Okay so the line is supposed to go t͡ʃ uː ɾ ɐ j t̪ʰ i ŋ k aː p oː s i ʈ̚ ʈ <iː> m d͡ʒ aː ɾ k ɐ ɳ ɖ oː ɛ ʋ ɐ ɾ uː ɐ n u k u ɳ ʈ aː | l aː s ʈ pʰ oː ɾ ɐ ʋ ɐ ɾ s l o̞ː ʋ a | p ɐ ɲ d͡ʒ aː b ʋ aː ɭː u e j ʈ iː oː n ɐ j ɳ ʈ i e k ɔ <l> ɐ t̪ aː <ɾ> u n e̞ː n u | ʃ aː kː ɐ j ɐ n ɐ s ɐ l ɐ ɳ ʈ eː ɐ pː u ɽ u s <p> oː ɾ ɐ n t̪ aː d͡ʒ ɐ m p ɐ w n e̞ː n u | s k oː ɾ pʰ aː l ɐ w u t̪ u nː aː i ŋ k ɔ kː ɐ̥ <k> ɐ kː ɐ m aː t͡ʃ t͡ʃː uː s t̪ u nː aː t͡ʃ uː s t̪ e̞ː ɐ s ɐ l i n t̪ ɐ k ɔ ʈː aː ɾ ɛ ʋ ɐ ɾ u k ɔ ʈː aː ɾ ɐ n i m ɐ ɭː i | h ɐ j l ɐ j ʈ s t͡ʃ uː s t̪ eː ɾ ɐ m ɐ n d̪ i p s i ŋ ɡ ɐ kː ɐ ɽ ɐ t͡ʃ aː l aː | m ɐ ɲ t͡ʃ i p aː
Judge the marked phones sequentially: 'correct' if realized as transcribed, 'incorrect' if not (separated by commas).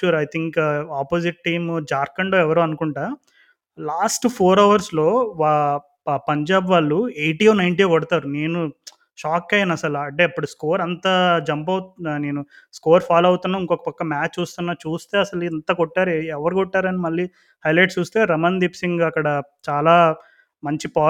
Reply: correct, incorrect, correct, incorrect, incorrect